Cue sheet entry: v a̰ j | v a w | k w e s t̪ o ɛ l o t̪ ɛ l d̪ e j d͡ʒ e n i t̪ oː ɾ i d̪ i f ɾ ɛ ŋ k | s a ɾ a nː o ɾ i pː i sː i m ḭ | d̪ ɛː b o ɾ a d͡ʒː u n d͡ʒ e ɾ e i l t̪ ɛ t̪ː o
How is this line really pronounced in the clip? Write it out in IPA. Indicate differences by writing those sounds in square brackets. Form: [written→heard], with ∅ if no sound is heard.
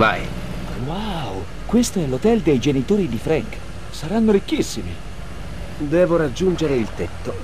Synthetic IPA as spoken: v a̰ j | [v→w] a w | k w e s t̪ o ɛ l o t̪ ɛ l d̪ e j d͡ʒ e n i t̪ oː ɾ i d̪ i f ɾ ɛ ŋ k | s a ɾ a nː o ɾ i [pː→kː] i sː i m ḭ | d̪ ɛː [b→v] o ɾ a d͡ʒː u n d͡ʒ e ɾ e i l t̪ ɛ t̪ː o

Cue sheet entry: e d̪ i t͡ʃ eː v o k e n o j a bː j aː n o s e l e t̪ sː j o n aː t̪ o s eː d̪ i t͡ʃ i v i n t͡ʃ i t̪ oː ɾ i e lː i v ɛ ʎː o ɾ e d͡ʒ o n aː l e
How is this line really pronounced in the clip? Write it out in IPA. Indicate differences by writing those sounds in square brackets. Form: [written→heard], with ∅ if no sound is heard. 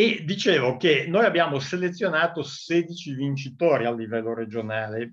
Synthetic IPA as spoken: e d̪ i t͡ʃ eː v o k e n o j a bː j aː [n→m] o s e l e t̪ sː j o n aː t̪ o s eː d̪ i t͡ʃ i v i n t͡ʃ i t̪ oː ɾ i [e→a] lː i v ɛ [ʎː→lː] o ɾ e d͡ʒ o n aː l e

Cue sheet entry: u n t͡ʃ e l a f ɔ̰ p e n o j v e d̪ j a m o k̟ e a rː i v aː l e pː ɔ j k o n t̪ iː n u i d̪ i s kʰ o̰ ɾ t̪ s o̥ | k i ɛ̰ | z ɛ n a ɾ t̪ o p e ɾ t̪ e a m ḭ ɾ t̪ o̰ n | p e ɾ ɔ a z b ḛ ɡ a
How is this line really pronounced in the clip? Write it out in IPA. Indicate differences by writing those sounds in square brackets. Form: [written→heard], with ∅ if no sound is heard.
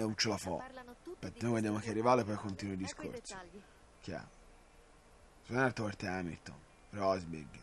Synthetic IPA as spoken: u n t͡ʃ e l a f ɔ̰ p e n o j v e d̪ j a m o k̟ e a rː i v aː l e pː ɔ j k o n t̪ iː n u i d̪ i s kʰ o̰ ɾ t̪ s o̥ | k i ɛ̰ | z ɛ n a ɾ t̪ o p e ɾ t̪ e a m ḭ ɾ t̪ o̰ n | p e ɾ ɔ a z b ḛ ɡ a

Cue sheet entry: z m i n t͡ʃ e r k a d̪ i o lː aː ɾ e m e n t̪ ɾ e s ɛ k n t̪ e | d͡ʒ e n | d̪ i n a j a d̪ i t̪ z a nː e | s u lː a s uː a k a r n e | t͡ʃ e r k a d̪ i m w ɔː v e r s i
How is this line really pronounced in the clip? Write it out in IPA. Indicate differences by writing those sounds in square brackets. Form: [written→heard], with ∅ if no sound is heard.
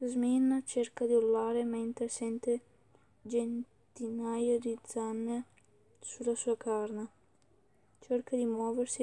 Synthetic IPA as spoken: z m i n t͡ʃ e r k a d̪ i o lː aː ɾ e m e n t̪ ɾ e s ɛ [k→∅] n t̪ e | d͡ʒ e n | [d̪→t̪] i n a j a d̪ i [t̪→d̪] z a nː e | s u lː a s uː a k a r n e | t͡ʃ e r k a d̪ i m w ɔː v e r s i

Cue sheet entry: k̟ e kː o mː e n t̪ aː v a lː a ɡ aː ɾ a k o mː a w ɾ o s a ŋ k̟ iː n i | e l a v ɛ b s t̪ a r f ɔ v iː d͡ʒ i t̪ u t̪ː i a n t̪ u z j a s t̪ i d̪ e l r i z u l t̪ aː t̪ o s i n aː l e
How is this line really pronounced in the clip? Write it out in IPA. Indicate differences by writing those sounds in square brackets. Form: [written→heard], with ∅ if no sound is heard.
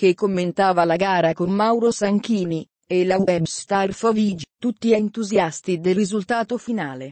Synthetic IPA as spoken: k̟ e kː o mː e n t̪ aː v a [lː→l] a ɡ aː ɾ a k o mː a w ɾ o s a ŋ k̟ iː n i | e l a [v→w] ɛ b s t̪ a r f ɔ v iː d͡ʒ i t̪ u t̪ː i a n t̪ u z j a s t̪ i d̪ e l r i z u l t̪ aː t̪ o [s→f] i n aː l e

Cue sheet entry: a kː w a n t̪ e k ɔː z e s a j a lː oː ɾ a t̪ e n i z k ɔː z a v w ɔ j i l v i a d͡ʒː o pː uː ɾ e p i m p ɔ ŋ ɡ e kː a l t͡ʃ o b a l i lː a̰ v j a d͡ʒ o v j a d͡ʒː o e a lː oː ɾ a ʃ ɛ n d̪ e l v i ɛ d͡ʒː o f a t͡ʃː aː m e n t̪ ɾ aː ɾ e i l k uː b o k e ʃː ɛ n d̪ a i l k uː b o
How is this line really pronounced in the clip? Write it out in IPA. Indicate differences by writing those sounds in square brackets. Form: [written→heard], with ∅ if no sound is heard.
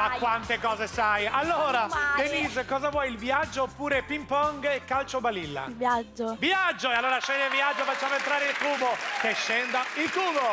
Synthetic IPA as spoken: a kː w a n t̪ e k ɔː z e s a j a lː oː ɾ a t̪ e n i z k ɔː z a v w ɔ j i l v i a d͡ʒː o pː uː ɾ e p i m p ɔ ŋ ɡ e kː a l t͡ʃ o b a l i lː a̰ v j a d͡ʒ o v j a d͡ʒː o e a lː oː ɾ a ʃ ɛ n d̪ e l v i [ɛ→a] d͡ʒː o f a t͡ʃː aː m e n t̪ ɾ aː ɾ e i l k uː b o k e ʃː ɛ n d̪ a i l k uː b o

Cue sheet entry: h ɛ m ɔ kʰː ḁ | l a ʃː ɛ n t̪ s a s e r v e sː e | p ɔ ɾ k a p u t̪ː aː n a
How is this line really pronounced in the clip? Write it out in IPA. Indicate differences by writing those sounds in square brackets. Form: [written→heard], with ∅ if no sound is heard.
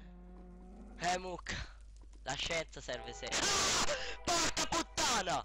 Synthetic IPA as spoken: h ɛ m [ɔ→u] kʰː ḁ | l a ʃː ɛ n t̪ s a s [e→ɛ] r v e [sː→s] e | p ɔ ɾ k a p u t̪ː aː n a

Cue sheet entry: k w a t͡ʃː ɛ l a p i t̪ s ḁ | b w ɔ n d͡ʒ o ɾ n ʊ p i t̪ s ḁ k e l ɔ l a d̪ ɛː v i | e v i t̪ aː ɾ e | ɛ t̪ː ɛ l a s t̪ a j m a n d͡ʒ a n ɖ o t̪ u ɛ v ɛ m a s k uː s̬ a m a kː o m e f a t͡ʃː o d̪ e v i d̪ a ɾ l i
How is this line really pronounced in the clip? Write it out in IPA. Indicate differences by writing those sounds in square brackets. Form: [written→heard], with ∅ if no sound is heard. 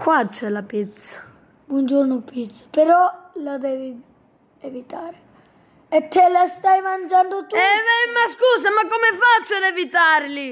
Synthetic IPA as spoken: k w a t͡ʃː ɛ l a p i t̪ s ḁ | b w ɔ n d͡ʒ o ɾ n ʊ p i t̪ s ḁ [k→p] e [l→ɾ] ɔ l a d̪ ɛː v i | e v i t̪ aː ɾ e | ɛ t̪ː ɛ l a s t̪ a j m a n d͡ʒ a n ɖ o t̪ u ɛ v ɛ m a s k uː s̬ a m a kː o m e f a t͡ʃː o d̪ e v i [d̪→t̪] a ɾ l i

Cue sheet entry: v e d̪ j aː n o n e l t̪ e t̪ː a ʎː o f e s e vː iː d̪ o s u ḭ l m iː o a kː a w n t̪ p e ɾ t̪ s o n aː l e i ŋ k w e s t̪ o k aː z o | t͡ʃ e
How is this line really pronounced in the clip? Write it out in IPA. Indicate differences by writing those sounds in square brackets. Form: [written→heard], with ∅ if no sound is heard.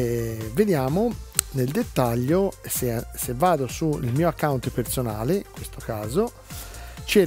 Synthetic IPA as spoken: v e d̪ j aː [n→m] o n e l [t̪→d̪] e t̪ː a ʎː o [f→s] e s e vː [iː→aː] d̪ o s u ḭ l m iː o a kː a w n t̪ p e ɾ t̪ s o n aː l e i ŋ k w e s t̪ o k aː z o | t͡ʃ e

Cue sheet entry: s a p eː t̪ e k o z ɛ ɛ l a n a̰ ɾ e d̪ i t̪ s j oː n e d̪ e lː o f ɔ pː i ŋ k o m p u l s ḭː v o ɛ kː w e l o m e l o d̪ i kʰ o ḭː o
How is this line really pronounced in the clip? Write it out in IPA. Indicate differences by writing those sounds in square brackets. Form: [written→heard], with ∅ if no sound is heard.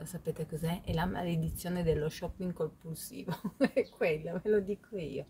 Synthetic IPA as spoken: s a p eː t̪ e k o z ɛ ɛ l a [n→m] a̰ [ɾ→l] e d̪ i t̪ [s→sː] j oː n e d̪ e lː o [f→ʃ] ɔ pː i ŋ k o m p u l s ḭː v o ɛ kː w e [l→lː] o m e l o d̪ i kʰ o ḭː o

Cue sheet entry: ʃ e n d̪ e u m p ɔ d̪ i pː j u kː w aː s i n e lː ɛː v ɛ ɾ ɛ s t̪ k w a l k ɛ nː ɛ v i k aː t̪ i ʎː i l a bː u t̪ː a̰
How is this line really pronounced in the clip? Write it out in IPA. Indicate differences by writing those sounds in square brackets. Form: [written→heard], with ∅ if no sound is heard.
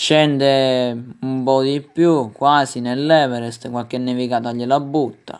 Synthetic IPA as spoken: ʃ [e→ɛ] n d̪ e u m p ɔ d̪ i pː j u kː w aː s i n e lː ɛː v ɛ ɾ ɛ s t̪ k w a l k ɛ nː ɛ v i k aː t̪ [i→a] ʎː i l a bː u t̪ː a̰

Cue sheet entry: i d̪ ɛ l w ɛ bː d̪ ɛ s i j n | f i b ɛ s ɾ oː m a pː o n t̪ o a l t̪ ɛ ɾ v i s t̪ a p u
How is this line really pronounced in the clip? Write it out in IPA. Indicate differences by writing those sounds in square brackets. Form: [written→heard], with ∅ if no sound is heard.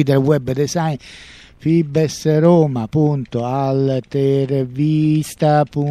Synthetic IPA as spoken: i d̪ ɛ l w ɛ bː d̪ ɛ s [i→a] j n | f i b ɛ s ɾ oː m a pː [o→u] n t̪ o a l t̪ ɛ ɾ v i s t̪ a p u

